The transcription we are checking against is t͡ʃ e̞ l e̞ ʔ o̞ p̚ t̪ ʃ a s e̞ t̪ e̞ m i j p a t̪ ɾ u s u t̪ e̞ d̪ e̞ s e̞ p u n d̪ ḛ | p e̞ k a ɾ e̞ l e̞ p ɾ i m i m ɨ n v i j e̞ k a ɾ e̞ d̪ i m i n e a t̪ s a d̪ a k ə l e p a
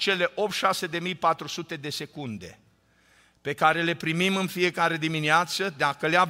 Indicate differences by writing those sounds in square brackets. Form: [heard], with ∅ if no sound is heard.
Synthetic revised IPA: t͡ʃ e̞ l e̞ ʔ o̞ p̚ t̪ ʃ a s e̞ [d̪] e̞ m i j p a t̪ ɾ u s u t̪ e̞ d̪ e̞ s e̞ [k] u n d̪ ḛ | p e̞ k a ɾ e̞ l e̞ p ɾ i m i m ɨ n [f] i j e̞ k a ɾ e̞ d̪ i m i n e a t̪ s [ə] d̪ a k ə l e [∅] a